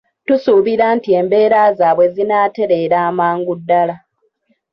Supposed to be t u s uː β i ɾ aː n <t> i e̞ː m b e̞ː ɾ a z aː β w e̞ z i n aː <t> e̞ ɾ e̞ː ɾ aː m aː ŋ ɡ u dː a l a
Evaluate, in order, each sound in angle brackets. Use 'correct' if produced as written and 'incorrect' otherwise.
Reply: correct, correct

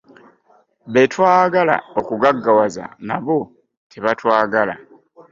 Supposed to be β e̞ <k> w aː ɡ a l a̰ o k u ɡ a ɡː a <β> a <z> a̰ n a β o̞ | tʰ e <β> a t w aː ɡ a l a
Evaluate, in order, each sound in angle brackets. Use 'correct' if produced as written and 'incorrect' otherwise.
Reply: incorrect: t, incorrect: w, correct, correct

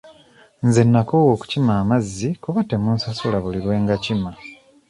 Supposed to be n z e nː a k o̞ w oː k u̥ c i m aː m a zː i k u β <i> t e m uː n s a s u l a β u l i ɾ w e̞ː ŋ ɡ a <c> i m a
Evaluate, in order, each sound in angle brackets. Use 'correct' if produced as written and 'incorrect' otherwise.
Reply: incorrect: a, correct

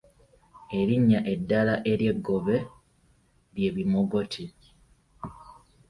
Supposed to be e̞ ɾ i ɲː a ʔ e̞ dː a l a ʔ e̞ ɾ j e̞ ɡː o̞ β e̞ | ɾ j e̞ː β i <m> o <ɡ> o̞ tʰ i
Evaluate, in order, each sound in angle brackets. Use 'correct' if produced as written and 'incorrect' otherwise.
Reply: correct, correct

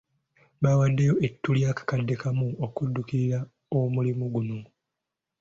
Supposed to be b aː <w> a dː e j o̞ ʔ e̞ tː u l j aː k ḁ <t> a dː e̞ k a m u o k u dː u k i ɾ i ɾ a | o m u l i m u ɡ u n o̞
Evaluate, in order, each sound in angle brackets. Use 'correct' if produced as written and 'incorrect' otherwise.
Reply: correct, incorrect: k

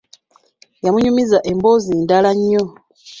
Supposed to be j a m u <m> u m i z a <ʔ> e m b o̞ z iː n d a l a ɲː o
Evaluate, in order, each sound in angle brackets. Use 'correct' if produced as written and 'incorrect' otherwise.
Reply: incorrect: ɲ, correct

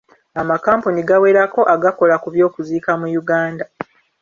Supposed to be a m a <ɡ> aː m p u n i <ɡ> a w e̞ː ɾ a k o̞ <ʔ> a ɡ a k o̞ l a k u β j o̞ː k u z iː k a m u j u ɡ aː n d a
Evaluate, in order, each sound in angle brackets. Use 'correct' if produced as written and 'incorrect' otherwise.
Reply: incorrect: k, correct, correct

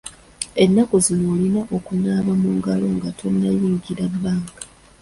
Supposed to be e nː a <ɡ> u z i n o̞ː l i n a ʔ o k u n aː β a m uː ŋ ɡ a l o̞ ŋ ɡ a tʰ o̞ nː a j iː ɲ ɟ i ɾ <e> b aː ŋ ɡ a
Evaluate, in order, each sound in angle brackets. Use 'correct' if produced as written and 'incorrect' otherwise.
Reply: incorrect: k, incorrect: a

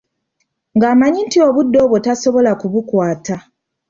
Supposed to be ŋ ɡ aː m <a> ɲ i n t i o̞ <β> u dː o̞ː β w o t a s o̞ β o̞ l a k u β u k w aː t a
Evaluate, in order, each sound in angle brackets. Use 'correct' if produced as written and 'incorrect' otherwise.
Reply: correct, correct

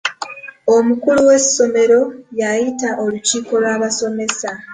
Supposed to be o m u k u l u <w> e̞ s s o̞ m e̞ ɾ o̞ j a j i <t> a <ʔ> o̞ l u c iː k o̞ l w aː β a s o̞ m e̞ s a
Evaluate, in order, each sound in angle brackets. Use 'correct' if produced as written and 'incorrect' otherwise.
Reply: correct, correct, correct

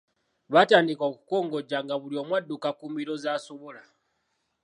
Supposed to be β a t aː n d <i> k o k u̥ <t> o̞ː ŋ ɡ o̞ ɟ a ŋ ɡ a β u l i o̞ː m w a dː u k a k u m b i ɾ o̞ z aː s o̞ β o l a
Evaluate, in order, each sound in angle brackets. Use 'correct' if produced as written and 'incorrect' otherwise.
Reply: correct, incorrect: k

